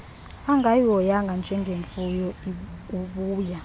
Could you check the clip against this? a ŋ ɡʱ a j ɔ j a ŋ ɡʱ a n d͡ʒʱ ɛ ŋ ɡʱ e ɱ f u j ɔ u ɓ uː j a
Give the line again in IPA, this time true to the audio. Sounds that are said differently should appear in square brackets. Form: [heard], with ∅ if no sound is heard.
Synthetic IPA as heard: a ŋ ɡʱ a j ɔ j a ŋ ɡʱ a n d͡ʒʱ ɛ ŋ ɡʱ e ɱ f u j ɔ u ɓ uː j a